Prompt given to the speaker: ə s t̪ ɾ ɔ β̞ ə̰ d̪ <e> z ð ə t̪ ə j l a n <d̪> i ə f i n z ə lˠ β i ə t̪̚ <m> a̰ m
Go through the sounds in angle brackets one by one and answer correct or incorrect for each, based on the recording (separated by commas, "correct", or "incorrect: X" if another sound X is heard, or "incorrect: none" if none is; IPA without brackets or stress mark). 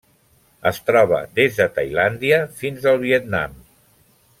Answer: correct, correct, incorrect: n